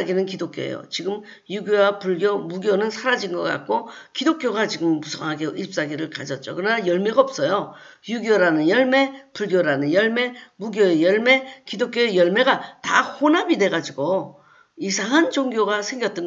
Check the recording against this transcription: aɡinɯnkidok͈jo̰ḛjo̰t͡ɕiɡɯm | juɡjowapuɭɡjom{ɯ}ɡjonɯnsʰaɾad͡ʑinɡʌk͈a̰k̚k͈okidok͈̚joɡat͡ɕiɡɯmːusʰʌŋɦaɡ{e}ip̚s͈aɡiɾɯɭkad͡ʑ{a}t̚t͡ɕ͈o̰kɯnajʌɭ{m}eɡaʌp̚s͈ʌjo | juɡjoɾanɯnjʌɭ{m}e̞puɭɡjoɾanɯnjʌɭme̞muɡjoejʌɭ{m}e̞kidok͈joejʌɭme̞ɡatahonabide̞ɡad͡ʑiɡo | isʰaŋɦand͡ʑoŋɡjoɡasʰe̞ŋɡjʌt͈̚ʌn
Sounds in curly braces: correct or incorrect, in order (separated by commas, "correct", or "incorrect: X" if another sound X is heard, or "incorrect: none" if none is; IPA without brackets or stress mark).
incorrect: u, correct, incorrect: ʌ, correct, correct, correct